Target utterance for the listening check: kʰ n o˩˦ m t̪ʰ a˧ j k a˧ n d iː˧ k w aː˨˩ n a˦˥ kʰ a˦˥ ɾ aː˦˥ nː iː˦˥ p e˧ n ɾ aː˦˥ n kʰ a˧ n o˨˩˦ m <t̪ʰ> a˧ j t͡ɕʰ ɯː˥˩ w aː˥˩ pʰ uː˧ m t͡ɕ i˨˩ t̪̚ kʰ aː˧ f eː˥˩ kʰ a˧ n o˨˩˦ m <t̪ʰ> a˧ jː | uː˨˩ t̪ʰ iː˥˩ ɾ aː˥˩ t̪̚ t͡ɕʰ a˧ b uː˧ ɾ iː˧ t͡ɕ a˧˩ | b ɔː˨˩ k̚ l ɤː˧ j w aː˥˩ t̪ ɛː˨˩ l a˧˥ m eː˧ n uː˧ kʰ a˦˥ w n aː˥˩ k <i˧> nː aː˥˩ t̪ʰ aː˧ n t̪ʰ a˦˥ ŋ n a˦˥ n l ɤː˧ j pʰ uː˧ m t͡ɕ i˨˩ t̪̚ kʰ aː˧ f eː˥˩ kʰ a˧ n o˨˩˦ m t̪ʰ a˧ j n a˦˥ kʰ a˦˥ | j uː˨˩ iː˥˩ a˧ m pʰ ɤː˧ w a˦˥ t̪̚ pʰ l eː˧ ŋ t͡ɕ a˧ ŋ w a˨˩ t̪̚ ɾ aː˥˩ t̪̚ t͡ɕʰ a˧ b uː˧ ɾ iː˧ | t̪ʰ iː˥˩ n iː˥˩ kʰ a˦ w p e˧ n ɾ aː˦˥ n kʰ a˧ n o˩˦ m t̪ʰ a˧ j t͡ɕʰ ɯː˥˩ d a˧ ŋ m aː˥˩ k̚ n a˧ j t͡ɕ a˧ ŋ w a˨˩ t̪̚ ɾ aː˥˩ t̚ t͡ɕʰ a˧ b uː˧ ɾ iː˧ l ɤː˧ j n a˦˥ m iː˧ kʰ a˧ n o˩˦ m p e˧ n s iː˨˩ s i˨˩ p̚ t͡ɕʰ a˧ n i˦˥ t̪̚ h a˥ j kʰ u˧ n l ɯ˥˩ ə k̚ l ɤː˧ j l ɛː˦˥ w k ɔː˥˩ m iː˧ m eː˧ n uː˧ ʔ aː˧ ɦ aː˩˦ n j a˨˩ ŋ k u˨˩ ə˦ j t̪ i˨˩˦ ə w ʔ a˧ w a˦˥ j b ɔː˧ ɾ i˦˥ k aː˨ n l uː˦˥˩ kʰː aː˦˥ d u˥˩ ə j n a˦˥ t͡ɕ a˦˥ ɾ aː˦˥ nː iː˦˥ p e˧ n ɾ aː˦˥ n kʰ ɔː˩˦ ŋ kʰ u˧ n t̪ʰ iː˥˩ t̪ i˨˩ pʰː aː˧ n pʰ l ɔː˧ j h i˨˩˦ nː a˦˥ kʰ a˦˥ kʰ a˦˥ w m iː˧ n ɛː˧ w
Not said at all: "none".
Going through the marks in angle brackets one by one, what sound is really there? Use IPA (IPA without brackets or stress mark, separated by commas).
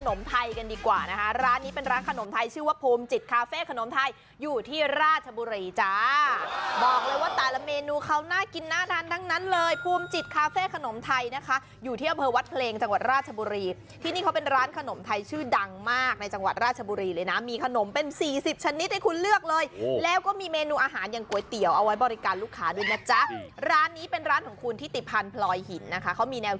t̪ʰ, t̪ʰ, i˧